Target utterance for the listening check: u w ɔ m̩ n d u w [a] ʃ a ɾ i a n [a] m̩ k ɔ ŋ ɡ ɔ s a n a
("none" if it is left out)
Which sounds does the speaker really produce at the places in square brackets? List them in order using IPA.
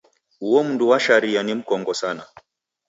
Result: a, i

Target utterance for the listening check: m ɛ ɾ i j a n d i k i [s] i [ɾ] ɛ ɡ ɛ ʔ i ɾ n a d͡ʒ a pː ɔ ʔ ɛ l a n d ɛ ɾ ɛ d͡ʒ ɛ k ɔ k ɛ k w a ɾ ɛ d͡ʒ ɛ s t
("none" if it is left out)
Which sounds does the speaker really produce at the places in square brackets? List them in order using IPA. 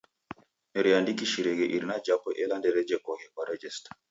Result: ʃ, ɾ

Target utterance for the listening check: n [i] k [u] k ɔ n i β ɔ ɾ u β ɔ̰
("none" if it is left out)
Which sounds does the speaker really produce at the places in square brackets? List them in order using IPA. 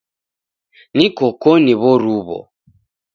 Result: i, ɔ

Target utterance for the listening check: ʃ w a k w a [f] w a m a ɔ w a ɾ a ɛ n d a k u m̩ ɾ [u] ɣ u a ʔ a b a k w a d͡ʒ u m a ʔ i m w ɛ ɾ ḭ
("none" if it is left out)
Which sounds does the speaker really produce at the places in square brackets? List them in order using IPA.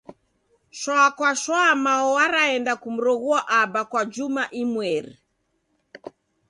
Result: ʃ, ɔ

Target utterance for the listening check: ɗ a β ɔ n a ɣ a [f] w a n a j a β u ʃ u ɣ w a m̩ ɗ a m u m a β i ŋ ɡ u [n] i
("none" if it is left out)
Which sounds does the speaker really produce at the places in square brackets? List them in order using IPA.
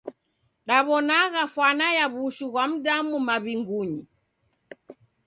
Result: f, ɲ

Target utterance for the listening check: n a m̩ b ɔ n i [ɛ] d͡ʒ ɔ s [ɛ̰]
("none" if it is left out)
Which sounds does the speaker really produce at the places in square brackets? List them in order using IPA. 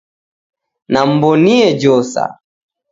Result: ɛ, a̰

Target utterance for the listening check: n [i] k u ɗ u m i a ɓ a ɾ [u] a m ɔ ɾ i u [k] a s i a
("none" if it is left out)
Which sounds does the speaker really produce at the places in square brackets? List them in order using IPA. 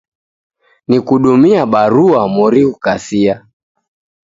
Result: i, u, k

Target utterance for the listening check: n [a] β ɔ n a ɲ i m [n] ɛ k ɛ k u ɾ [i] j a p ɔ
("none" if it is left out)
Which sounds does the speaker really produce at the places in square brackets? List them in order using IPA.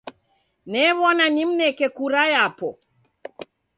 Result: ɛ, n, a

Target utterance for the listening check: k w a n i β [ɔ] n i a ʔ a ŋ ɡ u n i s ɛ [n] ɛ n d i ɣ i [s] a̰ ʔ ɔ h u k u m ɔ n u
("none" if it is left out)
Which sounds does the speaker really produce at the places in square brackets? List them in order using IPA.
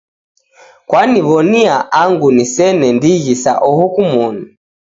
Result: ɔ, n, s

